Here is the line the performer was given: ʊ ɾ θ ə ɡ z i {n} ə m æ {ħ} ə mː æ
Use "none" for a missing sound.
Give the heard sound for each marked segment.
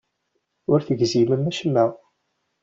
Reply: m, ʃ

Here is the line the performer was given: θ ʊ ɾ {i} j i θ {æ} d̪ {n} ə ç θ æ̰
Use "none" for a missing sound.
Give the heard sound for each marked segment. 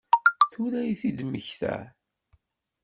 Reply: æ, i, m

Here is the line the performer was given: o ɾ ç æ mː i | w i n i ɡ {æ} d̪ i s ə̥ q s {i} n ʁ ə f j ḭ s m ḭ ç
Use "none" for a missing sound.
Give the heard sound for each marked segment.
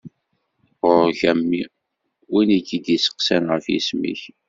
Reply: i, æ

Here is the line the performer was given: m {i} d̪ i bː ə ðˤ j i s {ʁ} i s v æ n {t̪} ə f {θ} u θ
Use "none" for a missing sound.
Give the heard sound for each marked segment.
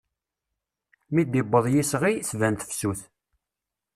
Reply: i, ʁ, t̪, s

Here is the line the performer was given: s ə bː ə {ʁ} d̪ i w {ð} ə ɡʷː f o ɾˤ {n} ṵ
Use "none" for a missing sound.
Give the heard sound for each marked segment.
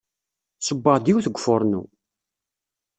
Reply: ʁ, θ, n

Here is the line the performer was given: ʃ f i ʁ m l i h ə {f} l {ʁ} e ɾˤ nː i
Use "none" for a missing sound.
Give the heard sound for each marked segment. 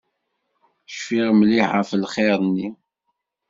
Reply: f, χ

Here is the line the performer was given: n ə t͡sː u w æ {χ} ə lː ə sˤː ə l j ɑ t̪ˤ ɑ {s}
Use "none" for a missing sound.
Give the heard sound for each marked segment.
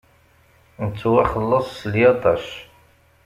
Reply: χ, ʃ

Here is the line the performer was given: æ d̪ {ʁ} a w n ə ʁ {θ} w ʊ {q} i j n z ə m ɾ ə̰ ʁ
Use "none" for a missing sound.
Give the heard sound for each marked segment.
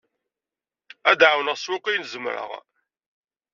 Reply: ʕ, s, q

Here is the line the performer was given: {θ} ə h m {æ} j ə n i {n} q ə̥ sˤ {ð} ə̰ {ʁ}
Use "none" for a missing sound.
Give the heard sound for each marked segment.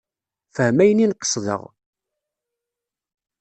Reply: f, æ, n, ð, ʁ

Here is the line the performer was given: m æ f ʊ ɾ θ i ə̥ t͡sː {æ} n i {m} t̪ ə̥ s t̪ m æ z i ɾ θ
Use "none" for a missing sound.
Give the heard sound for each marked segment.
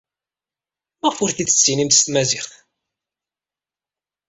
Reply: i, m

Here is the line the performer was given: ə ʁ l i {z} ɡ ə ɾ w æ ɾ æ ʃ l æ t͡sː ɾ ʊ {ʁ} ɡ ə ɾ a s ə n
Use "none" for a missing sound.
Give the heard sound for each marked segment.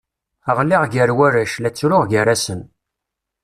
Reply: ʁ, ʁ

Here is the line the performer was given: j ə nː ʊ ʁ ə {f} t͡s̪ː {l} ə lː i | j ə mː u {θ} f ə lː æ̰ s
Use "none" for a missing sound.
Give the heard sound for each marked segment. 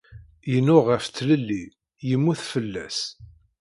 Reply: f, l, θ

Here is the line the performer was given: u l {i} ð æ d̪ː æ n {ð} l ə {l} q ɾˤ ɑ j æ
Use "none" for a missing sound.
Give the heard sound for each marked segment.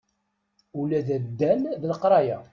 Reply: æ, ð, none

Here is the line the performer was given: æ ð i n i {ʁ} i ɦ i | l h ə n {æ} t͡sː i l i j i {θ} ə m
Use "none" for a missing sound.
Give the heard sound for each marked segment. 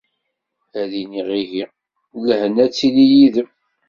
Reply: ʁ, æ, ð

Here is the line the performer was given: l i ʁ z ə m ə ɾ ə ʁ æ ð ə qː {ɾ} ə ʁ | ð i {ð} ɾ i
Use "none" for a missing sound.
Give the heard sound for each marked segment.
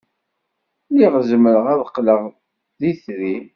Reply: l, θ

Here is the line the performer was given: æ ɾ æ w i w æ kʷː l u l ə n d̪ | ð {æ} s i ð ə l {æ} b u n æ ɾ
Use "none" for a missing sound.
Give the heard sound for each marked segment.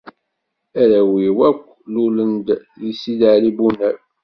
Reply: i, i

